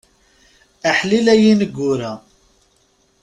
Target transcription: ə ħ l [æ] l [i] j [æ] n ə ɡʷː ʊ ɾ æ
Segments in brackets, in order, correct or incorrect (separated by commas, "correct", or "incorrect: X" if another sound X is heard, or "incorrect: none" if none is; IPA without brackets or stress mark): incorrect: i, incorrect: æ, incorrect: i